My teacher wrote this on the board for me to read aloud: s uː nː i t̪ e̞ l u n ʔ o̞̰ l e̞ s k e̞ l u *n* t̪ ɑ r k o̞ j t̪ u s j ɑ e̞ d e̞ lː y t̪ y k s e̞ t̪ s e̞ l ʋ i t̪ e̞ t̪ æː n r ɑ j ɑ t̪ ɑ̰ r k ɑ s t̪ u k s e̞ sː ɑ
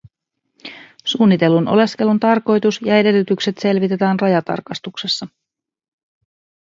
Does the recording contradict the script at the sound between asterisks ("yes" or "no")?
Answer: no